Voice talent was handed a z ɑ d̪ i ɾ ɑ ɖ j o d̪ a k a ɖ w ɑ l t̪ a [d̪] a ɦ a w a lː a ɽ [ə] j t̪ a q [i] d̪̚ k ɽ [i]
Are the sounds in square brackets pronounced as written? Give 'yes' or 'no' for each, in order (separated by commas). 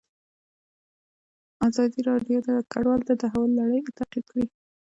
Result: yes, yes, yes, yes